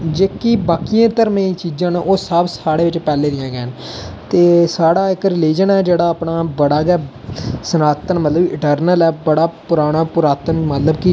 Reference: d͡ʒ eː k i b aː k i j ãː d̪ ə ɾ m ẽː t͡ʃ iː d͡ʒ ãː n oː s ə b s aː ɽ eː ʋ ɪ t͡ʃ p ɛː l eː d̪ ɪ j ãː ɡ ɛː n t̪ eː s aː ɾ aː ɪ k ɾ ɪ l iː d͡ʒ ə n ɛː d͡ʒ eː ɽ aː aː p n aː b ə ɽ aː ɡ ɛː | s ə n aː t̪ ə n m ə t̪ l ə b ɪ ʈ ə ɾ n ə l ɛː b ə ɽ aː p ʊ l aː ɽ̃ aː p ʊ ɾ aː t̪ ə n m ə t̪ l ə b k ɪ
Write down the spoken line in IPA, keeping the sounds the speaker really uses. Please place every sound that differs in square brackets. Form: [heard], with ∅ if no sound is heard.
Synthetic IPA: d͡ʒ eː k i b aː k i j ãː [t̪] ə ɾ m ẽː t͡ʃ iː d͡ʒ ãː n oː s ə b s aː ɽ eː ʋ ɪ t͡ʃ p ɛː l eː d̪ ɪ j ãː ɡ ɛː n t̪ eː s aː [ɽ] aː ɪ k ɾ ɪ l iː d͡ʒ ə n ɛː d͡ʒ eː ɽ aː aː p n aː b ə ɽ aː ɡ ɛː | s ə n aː t̪ ə n m ə t̪ l ə b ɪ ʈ ə ɾ n ə l ɛː b ə ɽ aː p ʊ [ɾ] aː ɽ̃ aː p ʊ ɾ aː t̪ ə n m ə t̪ l ə b k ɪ